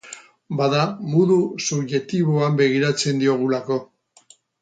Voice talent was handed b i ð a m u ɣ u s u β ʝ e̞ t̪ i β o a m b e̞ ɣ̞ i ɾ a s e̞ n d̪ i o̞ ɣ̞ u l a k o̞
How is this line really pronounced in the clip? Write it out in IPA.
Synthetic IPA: b a ð a m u ð u s u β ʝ e̞ t̪ i β o a m b e̞ ɣ̞ i ɾ a t͡s e̞ n d̪ i o̞ ɣ̞ u l a k o̞